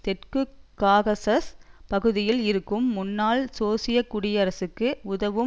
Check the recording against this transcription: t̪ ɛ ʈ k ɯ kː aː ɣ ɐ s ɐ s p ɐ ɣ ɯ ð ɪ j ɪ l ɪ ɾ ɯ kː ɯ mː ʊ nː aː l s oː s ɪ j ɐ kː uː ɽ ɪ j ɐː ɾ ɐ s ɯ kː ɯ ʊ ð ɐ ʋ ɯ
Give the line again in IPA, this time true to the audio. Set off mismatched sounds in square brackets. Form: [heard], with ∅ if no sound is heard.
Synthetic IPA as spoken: t̪ ɛ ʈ k ɯ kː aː ɣ ɐ s ɐ s p ɐ ɣ ɯ ð ɪ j ɪ l ɪ ɾ ɯ kː ɯ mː ʊ nː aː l s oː s ɪ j ɐ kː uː ɽ ɪ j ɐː ɾ ɐ s ɯ kː ɯ ʊ ð ɐ ʋ ɯ